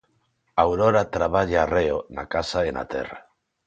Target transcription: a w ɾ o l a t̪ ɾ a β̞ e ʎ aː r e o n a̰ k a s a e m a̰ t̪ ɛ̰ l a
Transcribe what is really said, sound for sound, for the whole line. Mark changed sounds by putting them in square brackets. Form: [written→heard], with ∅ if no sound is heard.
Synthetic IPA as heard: a w ɾ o [l→ɾ] a t̪ ɾ a β̞ [e→a] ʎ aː r e o n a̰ k a s a e [m→n] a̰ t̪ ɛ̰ [l→r] a